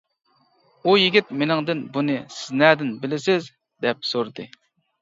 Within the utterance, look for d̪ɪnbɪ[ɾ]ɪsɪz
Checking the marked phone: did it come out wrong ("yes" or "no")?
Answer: yes